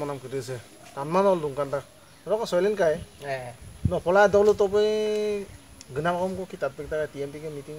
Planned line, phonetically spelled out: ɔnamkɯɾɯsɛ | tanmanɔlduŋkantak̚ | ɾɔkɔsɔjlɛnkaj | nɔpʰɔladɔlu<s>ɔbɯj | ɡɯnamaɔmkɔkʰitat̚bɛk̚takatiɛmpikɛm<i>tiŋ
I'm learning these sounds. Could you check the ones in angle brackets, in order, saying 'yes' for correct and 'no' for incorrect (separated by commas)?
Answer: no, yes